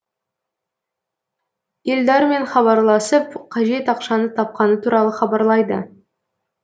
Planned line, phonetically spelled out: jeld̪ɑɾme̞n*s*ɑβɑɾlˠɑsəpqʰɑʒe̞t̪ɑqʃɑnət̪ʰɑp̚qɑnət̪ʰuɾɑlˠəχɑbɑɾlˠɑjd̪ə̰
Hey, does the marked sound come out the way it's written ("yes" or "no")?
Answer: no